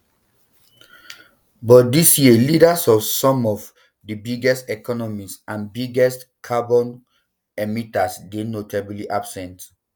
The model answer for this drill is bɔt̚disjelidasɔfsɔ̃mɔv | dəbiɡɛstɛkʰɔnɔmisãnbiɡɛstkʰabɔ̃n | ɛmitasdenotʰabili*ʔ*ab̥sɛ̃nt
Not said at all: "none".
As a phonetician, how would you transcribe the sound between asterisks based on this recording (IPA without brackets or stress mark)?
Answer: ʔ